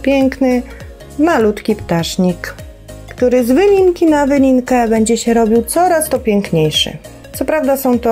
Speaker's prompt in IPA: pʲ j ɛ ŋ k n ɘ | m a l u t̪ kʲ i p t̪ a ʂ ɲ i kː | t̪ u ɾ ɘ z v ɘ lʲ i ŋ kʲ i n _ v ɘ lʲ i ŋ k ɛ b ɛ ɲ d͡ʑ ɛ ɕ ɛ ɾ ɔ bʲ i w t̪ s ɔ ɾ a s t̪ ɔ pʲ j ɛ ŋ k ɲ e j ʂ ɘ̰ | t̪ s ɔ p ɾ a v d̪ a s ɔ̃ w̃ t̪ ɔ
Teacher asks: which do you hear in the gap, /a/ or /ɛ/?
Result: a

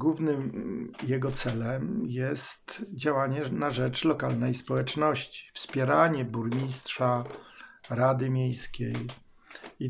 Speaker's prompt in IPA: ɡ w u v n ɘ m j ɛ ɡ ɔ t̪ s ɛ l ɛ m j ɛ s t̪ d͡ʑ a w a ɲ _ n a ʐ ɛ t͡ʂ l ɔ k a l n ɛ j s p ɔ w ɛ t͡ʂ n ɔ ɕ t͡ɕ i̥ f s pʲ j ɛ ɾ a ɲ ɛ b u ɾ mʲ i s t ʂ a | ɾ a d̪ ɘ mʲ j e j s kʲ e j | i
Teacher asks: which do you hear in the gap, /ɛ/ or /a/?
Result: ɛ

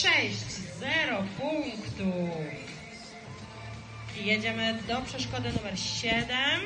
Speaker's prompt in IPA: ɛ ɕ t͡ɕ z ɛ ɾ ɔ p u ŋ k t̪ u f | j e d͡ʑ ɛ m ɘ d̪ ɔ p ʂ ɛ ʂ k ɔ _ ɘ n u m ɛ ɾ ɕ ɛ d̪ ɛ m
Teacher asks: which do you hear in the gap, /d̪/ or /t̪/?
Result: d̪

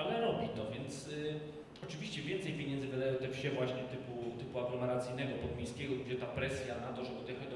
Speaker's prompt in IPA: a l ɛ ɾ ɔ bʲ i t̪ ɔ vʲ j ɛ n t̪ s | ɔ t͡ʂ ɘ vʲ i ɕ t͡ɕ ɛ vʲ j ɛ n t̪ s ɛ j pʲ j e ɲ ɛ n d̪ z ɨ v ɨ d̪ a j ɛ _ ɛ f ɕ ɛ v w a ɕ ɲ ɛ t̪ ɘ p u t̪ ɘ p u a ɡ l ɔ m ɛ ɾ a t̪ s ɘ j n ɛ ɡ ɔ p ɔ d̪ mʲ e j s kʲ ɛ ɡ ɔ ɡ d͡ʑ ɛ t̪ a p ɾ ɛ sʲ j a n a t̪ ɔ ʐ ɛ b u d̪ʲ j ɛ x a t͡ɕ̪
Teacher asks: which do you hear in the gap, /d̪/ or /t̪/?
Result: t̪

